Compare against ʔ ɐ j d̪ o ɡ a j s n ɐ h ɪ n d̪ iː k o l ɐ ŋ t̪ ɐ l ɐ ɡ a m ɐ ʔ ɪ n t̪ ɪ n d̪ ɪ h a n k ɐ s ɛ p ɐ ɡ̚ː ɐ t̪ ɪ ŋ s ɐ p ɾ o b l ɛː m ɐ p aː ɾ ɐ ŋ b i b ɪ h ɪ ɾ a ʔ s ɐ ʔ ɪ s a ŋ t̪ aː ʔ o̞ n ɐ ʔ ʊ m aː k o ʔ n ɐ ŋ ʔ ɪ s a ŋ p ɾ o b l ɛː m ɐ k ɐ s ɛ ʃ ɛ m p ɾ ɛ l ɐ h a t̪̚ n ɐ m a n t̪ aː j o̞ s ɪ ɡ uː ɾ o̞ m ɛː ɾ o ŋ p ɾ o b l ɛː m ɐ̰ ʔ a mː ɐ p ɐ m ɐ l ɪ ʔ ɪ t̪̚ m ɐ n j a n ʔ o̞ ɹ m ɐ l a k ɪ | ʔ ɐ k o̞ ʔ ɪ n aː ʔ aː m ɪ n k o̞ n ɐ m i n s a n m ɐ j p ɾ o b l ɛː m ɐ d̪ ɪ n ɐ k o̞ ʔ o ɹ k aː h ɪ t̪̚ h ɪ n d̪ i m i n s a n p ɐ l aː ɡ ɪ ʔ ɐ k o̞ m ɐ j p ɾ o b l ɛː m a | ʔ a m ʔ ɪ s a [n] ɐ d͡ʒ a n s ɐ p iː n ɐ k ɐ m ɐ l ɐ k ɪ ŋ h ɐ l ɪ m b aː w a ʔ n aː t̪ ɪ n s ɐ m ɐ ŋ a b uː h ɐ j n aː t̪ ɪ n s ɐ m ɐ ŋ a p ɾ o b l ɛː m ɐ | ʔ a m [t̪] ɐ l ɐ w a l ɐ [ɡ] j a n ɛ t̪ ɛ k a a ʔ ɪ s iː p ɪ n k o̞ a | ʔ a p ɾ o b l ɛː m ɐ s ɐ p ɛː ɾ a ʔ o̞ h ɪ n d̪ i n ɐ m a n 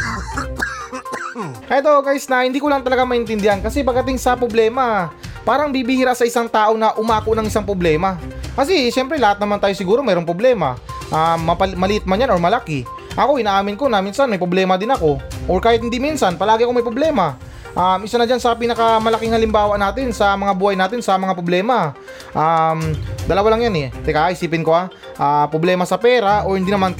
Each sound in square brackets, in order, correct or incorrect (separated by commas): correct, incorrect, incorrect